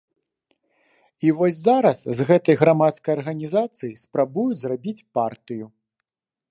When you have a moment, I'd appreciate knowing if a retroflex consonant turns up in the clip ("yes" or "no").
no